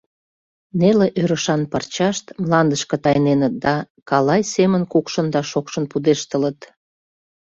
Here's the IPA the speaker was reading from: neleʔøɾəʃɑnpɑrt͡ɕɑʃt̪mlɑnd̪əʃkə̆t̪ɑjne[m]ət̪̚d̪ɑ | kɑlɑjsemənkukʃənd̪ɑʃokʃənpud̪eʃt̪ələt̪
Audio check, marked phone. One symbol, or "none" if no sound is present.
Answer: n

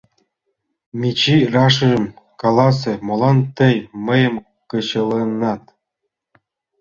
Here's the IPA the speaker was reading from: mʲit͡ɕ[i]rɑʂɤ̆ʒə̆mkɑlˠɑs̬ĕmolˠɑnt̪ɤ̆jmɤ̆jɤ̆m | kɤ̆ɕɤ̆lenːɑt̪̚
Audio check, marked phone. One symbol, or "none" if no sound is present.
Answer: i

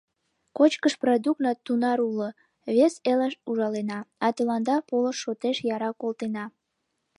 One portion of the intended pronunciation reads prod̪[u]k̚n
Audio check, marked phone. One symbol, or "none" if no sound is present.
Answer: u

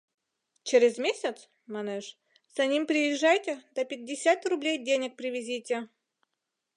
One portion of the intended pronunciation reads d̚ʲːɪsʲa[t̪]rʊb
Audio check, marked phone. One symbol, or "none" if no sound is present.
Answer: t̪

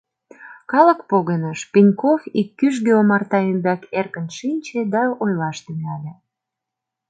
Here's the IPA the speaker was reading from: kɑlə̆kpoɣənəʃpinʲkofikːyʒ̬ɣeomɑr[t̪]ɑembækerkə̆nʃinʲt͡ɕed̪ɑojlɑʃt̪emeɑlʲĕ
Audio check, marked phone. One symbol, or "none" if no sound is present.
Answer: t̪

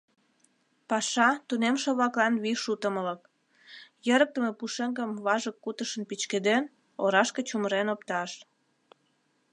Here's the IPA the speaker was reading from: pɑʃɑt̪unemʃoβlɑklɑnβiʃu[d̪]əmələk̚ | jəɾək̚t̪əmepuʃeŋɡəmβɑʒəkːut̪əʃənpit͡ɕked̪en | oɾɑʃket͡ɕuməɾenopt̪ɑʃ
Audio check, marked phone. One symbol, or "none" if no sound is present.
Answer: t̪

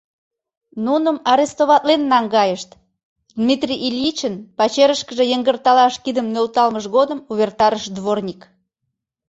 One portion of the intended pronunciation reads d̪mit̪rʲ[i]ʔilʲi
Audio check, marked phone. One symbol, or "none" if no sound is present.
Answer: i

